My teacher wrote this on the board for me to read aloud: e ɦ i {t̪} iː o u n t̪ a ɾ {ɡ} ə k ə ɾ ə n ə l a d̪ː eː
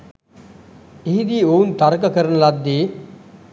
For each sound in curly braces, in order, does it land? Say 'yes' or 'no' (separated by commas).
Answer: no, no